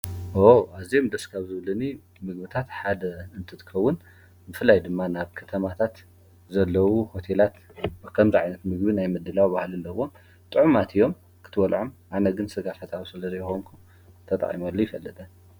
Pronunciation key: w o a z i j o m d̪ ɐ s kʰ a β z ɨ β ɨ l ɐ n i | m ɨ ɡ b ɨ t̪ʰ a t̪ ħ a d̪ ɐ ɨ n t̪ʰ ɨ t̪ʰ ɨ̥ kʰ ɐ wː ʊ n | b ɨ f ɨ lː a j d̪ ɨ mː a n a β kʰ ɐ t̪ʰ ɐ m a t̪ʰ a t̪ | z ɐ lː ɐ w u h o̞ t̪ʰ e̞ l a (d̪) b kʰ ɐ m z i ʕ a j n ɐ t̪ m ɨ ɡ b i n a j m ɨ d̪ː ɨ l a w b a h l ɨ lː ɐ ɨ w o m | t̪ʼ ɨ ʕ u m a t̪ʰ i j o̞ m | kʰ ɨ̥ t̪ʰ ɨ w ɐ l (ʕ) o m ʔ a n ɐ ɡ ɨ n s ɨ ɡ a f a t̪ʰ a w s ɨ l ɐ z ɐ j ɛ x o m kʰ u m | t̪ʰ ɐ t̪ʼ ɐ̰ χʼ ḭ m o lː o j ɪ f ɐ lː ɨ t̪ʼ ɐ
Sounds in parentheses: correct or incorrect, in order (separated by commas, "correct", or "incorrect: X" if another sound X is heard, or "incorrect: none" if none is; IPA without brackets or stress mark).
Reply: incorrect: t̪, correct